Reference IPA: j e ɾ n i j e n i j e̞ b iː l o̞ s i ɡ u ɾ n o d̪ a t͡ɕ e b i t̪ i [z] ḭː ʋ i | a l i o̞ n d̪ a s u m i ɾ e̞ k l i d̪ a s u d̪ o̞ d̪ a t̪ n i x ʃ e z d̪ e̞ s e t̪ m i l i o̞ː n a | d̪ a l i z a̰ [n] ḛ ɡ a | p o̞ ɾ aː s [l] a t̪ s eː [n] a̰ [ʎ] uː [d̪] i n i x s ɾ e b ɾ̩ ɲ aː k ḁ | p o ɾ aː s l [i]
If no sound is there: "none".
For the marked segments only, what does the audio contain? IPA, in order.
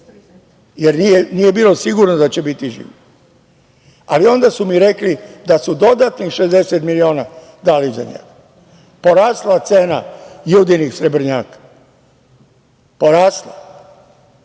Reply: ʒ, ɲ, l, n, j, d̪, a

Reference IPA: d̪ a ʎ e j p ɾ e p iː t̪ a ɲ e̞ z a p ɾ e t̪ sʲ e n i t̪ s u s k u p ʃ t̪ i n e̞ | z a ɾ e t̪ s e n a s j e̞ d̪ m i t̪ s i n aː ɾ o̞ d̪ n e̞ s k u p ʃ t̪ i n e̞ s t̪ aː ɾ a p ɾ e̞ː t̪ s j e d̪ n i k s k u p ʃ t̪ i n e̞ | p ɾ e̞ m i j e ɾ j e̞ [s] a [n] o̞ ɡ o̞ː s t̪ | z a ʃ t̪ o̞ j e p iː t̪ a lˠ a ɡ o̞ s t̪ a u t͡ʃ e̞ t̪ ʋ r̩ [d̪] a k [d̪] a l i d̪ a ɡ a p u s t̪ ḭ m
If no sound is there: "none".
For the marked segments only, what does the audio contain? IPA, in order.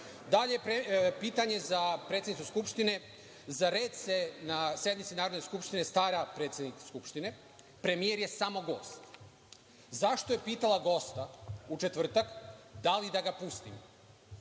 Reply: s, m, t̪, d̪

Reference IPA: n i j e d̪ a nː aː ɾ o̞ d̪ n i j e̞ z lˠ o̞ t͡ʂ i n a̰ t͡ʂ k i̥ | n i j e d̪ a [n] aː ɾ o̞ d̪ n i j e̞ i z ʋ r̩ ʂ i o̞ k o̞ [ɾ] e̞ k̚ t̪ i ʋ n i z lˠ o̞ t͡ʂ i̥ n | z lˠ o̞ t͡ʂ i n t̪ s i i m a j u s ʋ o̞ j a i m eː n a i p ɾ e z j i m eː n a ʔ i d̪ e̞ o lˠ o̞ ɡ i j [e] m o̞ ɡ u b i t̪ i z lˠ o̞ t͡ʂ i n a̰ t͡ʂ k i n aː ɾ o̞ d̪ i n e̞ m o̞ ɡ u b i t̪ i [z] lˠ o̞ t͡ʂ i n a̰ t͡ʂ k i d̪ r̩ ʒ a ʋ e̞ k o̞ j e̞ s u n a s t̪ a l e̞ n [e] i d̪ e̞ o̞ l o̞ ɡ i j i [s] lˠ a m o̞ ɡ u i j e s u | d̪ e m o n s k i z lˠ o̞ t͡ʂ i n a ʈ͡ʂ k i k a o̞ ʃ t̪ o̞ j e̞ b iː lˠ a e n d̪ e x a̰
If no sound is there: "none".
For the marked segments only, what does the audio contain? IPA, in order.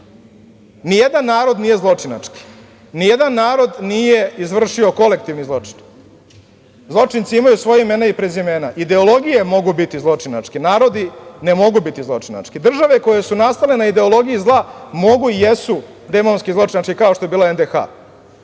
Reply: nː, l, e, z, a, z

